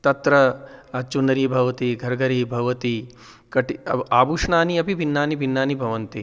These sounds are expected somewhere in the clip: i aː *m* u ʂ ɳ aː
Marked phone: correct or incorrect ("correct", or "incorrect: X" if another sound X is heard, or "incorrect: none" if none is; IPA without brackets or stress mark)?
incorrect: b